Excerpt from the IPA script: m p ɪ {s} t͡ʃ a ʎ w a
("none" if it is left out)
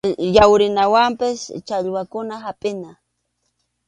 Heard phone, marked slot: s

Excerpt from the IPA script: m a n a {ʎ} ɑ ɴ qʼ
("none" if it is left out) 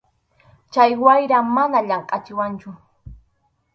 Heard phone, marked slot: ʎ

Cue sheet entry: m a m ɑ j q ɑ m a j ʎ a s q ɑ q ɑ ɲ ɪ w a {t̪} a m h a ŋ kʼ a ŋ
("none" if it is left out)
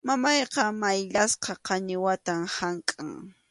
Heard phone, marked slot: t̪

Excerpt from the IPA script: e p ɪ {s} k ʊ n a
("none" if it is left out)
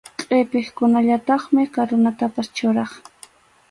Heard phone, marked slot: χ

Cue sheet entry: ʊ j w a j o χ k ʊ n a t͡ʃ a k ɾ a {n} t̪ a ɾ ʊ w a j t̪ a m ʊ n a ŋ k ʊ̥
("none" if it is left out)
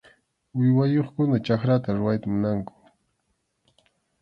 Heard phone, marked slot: none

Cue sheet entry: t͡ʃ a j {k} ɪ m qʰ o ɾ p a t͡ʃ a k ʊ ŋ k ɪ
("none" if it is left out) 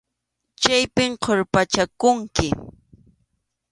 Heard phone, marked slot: p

